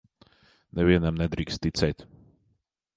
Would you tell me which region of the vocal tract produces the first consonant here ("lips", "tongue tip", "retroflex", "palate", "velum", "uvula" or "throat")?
tongue tip